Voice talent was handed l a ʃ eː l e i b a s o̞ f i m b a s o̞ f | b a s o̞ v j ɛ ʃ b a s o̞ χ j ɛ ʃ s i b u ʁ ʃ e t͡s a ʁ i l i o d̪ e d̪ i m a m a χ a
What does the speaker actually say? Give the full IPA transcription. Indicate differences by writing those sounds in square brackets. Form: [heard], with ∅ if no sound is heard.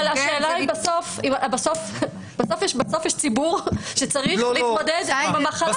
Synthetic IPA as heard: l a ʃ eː l [a] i b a s o̞ f i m b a s o̞ f | b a s o̞ [f] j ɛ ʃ b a s o̞ [f] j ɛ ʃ [t͡s] i b u ʁ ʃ e t͡s a ʁ i l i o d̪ e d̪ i m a m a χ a